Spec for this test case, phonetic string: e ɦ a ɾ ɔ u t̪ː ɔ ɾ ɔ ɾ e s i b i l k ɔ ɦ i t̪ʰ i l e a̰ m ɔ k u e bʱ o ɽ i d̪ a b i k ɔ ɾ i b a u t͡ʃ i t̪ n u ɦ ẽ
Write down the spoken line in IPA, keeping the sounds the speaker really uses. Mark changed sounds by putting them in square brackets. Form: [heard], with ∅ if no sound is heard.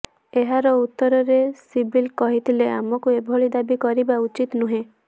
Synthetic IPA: e ɦ a ɾ ɔ u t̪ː ɔ ɾ ɔ ɾ e s i b i l k ɔ ɦ i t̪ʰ i l e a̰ m ɔ k u e bʱ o [ɭ] i d̪ a b i k ɔ ɾ i b a u t͡ʃ i t̪ n u ɦ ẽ